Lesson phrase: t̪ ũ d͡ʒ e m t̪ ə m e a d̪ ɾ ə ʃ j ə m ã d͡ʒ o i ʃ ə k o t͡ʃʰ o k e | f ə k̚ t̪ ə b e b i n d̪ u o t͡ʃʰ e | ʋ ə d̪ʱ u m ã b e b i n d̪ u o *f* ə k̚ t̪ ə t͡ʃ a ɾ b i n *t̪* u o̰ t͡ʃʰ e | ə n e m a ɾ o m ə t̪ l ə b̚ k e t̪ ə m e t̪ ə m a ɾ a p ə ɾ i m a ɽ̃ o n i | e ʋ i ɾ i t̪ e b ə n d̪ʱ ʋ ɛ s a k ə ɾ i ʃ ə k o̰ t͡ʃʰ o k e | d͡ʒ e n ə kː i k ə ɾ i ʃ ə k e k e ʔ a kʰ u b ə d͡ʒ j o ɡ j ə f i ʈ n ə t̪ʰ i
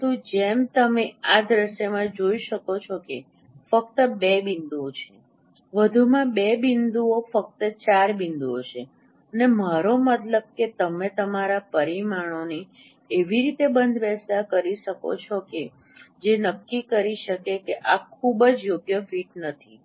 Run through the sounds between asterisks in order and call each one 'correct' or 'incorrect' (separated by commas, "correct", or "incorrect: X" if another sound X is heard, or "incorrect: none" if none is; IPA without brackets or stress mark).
correct, incorrect: d̪